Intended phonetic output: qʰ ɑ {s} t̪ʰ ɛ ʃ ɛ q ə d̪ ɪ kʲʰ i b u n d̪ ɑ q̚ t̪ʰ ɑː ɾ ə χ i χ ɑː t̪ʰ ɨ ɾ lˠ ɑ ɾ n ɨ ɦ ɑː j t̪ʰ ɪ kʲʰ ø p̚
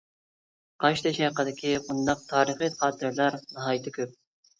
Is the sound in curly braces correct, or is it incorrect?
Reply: incorrect